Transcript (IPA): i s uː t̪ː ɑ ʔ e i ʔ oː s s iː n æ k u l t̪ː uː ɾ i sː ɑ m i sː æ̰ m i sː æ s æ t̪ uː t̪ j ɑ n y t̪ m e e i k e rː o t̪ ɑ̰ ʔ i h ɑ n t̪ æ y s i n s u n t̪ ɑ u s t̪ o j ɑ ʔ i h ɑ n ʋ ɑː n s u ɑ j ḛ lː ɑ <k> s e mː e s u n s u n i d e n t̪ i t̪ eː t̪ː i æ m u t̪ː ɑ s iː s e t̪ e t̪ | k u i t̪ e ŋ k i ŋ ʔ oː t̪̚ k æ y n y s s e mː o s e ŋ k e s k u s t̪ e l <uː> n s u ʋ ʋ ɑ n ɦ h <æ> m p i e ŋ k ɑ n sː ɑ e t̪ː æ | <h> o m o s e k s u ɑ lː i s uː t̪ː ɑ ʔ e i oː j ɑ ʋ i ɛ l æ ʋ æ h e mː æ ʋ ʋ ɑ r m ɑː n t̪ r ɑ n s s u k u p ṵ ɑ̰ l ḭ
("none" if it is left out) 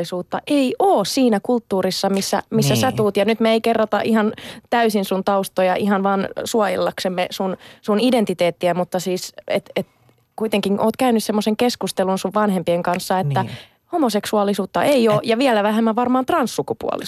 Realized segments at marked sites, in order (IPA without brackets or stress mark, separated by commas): k, u, e, h